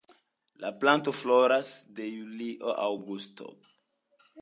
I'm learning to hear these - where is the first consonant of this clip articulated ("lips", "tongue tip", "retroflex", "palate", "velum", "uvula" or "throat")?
tongue tip